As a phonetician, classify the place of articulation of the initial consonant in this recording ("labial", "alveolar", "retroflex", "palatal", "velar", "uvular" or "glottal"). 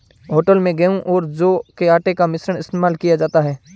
glottal